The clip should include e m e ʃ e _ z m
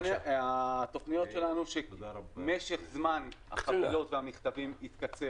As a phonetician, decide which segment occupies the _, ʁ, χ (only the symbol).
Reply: χ